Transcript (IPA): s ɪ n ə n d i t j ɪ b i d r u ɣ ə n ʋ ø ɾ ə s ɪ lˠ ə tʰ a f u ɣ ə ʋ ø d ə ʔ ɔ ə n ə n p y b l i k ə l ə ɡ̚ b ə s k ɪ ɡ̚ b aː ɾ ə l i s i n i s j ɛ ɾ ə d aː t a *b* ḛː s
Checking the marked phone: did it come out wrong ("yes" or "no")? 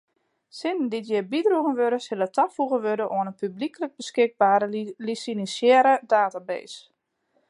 no